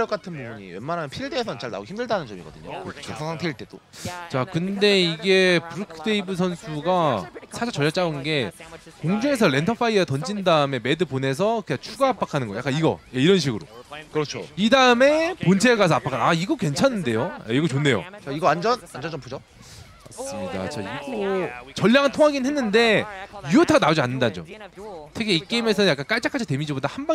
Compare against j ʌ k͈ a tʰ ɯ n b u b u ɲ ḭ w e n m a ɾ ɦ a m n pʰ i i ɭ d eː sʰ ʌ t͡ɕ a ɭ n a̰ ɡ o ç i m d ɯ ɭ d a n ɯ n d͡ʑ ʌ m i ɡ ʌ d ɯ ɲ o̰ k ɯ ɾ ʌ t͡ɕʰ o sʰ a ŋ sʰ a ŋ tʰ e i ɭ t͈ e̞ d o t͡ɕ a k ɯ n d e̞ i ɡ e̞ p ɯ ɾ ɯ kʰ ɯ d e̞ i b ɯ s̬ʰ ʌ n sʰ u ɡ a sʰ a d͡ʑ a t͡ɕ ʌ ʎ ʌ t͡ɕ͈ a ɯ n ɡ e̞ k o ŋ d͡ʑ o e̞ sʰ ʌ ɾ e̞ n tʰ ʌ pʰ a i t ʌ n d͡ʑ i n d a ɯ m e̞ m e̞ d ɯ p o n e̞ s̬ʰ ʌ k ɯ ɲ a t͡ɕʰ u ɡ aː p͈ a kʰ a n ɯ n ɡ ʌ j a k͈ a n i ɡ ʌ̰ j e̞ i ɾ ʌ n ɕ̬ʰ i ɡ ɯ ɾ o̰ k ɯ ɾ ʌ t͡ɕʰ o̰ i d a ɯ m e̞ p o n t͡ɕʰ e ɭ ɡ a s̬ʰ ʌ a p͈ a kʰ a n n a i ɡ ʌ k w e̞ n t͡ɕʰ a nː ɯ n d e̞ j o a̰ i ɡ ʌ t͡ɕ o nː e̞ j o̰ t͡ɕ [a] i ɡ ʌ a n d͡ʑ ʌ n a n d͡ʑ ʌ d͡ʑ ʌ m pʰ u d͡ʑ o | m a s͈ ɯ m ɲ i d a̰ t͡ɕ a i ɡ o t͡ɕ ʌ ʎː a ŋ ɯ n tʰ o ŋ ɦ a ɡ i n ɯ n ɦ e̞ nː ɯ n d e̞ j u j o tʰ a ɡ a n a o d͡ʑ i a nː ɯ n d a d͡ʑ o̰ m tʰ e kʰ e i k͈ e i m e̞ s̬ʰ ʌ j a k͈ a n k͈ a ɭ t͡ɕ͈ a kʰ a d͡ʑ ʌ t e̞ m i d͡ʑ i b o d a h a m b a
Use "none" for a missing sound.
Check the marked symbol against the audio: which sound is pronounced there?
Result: a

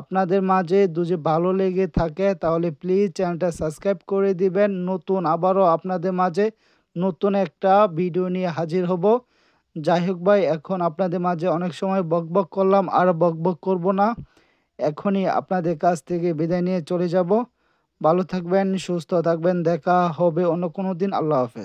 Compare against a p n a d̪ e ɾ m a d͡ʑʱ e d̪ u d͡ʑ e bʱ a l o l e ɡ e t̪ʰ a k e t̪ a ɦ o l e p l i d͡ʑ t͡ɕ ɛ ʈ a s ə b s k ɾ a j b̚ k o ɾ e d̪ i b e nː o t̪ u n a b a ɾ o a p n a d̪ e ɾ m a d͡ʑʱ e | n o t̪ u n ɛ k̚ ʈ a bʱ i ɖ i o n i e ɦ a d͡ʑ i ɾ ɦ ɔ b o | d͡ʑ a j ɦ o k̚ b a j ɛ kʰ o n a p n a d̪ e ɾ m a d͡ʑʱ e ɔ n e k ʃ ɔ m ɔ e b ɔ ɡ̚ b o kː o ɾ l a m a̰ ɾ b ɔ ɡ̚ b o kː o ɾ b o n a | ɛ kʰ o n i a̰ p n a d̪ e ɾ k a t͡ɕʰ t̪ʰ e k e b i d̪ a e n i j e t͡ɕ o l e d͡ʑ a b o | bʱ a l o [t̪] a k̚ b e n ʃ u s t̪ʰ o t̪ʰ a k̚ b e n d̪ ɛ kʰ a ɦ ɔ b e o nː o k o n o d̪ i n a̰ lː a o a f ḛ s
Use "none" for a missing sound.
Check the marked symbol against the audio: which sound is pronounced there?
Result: t̪ʰ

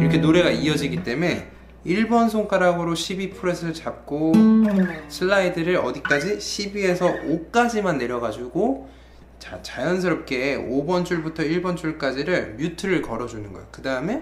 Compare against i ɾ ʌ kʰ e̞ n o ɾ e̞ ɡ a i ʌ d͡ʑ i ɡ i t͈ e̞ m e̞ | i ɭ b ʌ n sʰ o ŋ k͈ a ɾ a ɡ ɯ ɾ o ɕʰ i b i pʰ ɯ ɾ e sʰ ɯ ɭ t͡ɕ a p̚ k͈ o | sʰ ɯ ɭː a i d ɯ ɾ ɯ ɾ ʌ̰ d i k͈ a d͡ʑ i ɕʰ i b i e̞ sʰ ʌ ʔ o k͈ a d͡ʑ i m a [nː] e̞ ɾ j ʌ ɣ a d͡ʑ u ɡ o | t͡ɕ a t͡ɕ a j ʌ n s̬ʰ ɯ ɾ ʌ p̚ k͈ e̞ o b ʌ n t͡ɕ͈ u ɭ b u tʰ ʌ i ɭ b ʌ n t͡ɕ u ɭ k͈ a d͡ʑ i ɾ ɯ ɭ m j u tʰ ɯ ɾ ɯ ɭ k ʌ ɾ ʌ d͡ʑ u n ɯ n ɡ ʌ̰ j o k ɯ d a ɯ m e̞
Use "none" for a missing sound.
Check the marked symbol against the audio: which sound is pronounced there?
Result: nː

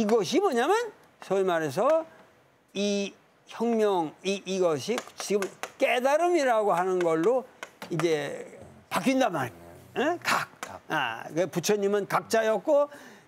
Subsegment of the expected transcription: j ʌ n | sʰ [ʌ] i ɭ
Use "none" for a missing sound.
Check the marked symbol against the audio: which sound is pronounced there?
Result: ʌ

